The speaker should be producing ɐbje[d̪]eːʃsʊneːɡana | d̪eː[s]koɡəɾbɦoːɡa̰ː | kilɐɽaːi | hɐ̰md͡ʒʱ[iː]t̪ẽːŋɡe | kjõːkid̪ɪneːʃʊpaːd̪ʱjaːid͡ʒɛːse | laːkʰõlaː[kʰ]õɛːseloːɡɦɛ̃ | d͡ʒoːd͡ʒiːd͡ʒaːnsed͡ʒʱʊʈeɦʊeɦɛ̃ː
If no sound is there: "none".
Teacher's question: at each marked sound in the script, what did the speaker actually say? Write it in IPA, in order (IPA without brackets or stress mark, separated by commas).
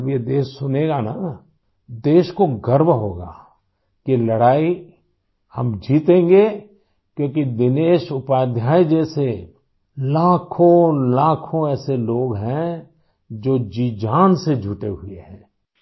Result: d̪, ʃ, iː, kʰ